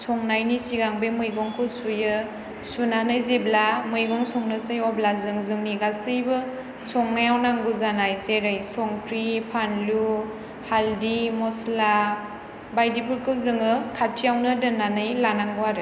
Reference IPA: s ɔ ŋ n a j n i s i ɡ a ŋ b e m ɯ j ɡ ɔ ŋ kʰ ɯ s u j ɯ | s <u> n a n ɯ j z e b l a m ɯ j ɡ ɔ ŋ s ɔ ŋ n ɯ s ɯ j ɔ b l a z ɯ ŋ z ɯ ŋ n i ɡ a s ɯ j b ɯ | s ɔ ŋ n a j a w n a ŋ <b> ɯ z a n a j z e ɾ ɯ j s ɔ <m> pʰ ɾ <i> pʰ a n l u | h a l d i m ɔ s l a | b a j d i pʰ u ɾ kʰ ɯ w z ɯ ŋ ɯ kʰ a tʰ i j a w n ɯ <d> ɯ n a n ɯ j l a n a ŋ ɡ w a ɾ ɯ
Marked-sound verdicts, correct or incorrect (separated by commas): correct, incorrect, incorrect, correct, correct